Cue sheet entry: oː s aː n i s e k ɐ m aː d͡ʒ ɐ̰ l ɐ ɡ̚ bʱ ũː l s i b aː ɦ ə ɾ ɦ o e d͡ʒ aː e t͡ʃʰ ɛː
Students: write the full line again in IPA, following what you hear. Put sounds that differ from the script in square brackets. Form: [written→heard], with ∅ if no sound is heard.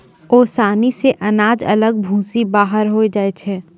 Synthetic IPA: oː s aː n i s e [k→ʔ] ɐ [m→n] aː d͡ʒ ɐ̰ l [ɐ→ə] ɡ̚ bʱ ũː [l→∅] s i b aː ɦ ə ɾ ɦ o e d͡ʒ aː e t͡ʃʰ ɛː

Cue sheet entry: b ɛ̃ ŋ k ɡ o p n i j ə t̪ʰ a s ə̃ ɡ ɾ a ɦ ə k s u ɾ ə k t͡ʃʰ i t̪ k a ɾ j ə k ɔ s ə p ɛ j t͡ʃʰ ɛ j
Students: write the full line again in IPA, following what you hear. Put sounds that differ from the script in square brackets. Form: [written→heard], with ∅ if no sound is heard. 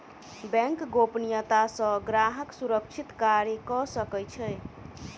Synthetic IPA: b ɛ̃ ŋ k ɡ o p n i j ə [t̪ʰ→t̪] a s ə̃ ɡ ɾ a ɦ ə k s u ɾ ə k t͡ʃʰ i t̪ k a ɾ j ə k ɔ s ə [p→k] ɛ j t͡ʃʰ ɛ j

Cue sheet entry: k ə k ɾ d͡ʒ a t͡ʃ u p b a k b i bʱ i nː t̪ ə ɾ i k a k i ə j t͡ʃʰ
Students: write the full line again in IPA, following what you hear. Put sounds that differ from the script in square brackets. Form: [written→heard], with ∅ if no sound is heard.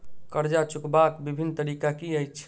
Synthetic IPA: k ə [k→∅] ɾ d͡ʒ a t͡ʃ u [p→k] b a k b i bʱ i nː t̪ ə ɾ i k a k i ə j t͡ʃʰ

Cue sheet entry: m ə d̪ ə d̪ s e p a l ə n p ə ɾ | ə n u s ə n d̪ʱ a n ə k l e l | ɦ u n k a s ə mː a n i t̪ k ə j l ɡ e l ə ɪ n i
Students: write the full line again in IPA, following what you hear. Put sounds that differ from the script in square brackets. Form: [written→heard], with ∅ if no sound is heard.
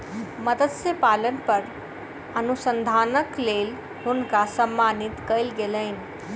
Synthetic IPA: m ə d̪ ə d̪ s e p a l ə n p ə ɾ | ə n u s ə n d̪ʱ a n ə k l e l | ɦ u n k a s ə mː a n i t̪ k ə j l ɡ e l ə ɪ n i

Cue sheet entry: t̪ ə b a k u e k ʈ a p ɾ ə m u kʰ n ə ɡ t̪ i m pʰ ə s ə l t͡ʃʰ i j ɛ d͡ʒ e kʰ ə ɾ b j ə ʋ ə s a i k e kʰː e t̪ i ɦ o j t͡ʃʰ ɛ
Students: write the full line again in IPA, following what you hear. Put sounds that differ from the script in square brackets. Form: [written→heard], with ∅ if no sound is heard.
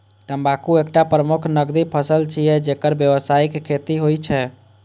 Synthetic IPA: t̪ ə b a k u e k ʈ a p ɾ ə m u kʰ n ə ɡ [t̪→d̪] i [m→∅] pʰ ə s ə l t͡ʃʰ i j ɛ d͡ʒ e [kʰ→k] ə ɾ b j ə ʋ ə s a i k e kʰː e t̪ i ɦ o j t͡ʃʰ ɛ

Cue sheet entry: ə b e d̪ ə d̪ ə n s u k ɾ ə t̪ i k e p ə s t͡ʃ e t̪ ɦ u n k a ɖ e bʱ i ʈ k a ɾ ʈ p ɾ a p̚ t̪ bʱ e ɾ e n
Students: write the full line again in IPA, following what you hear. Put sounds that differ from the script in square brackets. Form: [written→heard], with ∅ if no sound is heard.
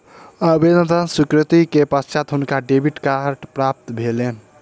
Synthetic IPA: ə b e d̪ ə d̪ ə n s u k ɾ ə t̪ i k e p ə s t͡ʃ [e→a] t̪ ɦ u n k a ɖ e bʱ i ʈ k a ɾ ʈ p ɾ a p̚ t̪ bʱ e [ɾ→l] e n

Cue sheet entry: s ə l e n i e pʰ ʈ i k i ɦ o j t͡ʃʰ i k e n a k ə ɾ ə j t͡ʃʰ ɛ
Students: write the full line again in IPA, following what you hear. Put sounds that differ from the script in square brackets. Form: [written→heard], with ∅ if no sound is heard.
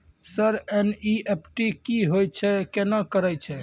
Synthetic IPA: s ə [l→ɾ] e n i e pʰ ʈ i k i ɦ o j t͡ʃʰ [i→ɛ] k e n a k ə ɾ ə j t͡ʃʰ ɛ

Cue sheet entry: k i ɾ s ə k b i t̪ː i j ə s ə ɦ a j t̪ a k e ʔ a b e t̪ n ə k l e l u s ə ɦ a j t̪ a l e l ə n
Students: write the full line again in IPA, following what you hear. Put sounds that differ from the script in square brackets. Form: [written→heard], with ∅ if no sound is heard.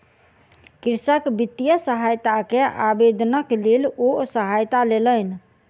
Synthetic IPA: k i ɾ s ə k b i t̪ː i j ə s ə ɦ a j t̪ a k e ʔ a b e [t̪→d̪] n ə k l e l [u→o] s ə ɦ a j t̪ a l e l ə n

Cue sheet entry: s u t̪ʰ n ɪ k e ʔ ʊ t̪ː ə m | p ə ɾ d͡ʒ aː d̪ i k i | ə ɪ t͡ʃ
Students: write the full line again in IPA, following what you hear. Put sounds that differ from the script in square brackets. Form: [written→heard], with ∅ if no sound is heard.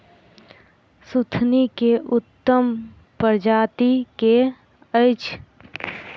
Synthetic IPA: s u t̪ʰ n [ɪ→i] k e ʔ ʊ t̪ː ə m | p ə ɾ d͡ʒ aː [d̪→t̪] i k [i→e] | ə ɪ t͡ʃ

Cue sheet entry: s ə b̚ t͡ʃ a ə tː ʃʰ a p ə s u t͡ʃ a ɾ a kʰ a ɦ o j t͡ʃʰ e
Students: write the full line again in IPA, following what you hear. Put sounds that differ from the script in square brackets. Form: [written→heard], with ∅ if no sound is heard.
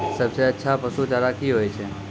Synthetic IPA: s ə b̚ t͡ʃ [a→e] ə tː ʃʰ a p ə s u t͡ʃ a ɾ a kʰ [a→i] ɦ o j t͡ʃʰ e

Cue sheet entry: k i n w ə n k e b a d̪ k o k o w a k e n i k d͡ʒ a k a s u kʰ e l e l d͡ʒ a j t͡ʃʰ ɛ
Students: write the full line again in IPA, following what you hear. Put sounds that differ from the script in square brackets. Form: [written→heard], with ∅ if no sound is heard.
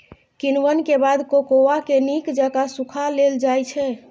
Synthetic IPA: k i n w ə n k e b a d̪ k o k o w a k e n i k d͡ʒ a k a s u kʰ [e→a] l e l d͡ʒ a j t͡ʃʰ ɛ

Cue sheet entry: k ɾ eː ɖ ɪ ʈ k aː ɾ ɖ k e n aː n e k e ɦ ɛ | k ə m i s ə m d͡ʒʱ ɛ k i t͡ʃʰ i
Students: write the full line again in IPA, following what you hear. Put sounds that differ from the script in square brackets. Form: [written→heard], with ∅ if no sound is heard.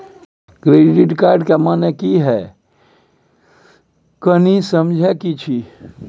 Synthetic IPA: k ɾ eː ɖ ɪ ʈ k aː ɾ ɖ k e [n→m] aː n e k [e→i] ɦ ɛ | k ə [m→n] i s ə m d͡ʒʱ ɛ k i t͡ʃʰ i

